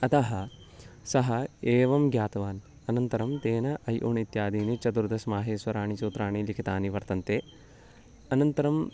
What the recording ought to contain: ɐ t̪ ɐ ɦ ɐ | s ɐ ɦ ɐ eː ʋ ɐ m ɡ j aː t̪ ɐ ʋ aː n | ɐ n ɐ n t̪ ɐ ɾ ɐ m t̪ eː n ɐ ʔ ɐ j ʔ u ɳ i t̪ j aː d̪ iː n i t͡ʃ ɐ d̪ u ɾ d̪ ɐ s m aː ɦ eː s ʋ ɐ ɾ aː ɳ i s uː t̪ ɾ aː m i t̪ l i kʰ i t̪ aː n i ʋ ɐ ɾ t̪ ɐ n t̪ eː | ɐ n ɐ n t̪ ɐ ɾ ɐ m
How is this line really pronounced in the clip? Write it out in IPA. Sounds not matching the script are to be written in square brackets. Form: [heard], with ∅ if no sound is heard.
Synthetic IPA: ɐ t̪ ɐ ɦ ɐ | s ɐ ɦ ɐ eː ʋ ɐ m ɡ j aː t̪ ɐ ʋ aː n | ɐ n ɐ n t̪ ɐ ɾ ɐ m t̪ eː n ɐ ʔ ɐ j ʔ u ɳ i t̪ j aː d̪ iː n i t͡ʃ ɐ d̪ u ɾ d̪ ɐ s m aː ɦ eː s ʋ ɐ ɾ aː ɳ i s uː t̪ ɾ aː [ɳ] i [∅] l i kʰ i t̪ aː n i ʋ ɐ ɾ t̪ ɐ n t̪ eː | ɐ n ɐ n t̪ ɐ ɾ ɐ m